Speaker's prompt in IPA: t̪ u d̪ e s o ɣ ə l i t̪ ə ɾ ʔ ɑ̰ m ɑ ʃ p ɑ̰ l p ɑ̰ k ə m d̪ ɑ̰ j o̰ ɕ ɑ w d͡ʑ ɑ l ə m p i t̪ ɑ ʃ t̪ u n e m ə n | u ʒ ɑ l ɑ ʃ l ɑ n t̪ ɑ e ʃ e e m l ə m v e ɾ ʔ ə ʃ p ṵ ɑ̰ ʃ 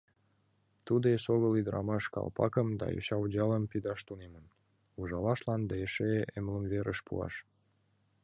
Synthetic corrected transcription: t̪ u d̪ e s o ɣ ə l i d̪ ə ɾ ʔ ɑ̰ m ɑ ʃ k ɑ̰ l p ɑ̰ k ə m d̪ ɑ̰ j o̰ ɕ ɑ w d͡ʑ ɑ l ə m p i d̪ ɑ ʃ t̪ u n e m ə n | u ʒ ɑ l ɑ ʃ l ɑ n d̪ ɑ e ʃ e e m l ə m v e ɾ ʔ ə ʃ p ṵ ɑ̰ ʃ